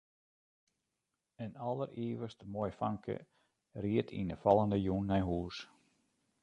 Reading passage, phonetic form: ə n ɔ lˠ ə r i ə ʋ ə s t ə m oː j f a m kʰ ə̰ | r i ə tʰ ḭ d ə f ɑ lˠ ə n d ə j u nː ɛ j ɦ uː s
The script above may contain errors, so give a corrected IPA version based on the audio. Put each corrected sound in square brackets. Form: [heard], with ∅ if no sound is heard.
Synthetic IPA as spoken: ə n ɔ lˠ ə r i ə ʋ ə s t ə m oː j f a [ŋ] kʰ ə̰ | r i ə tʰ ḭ [n] ə f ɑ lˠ ə n d ə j u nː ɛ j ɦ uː s